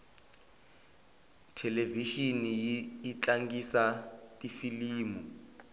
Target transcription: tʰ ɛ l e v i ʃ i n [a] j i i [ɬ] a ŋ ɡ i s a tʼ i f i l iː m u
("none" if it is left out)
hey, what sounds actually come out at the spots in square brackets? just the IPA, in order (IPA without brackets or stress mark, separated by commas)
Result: i, t͡ɬ